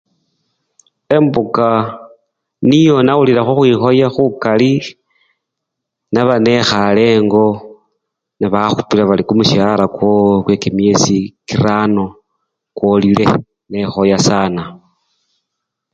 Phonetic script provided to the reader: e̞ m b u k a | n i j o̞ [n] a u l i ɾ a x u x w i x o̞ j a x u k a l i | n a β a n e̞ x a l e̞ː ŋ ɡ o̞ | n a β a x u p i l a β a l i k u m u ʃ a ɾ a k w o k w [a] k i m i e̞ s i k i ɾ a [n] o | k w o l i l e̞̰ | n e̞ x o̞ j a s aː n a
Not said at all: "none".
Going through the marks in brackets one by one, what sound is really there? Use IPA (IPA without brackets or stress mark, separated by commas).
n, e, n